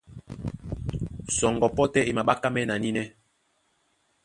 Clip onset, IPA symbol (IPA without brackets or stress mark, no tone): s